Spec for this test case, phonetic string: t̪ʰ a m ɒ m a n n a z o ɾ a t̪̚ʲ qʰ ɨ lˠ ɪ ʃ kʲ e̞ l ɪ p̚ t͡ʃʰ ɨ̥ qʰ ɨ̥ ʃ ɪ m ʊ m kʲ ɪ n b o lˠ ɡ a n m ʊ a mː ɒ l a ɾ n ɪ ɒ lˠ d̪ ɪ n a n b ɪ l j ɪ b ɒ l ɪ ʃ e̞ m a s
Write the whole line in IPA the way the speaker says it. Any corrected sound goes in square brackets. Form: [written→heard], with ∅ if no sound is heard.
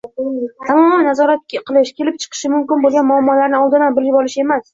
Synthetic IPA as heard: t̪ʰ a m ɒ m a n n a z [o→ɒ] ɾ a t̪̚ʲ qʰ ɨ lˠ ɪ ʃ kʲ e̞ l ɪ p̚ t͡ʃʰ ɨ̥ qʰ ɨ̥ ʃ ɪ m ʊ m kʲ ɪ n b o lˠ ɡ a n m ʊ a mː ɒ l a ɾ n ɪ ɒ lˠ d̪ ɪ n a n b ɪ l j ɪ b ɒ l ɪ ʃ e̞ m a s